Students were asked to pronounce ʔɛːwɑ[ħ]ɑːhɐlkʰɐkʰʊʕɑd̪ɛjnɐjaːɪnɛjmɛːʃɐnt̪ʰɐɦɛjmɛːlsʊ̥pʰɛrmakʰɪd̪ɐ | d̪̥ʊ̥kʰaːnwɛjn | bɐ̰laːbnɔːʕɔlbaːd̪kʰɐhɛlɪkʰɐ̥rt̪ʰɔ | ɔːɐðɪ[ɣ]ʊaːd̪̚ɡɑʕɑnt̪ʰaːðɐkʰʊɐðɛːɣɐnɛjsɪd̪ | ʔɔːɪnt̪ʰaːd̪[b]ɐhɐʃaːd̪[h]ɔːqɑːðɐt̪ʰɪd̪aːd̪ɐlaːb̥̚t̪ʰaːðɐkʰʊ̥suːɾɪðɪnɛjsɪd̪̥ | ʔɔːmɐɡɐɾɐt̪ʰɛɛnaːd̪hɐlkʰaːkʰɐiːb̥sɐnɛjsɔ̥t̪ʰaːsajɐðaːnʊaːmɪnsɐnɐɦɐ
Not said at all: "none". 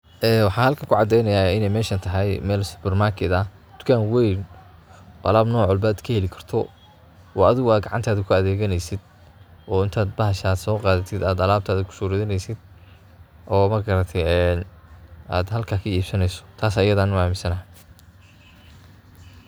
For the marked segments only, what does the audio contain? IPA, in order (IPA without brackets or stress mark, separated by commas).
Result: ħ, ɣ, b, s